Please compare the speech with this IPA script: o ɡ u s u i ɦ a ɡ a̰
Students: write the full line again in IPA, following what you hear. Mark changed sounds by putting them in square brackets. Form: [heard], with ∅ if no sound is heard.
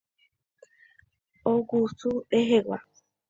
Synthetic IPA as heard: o ɡ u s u [e] ɦ [e] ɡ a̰